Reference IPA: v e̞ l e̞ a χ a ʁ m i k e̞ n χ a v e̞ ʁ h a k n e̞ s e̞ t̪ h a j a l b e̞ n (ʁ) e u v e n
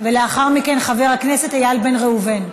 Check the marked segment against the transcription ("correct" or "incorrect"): correct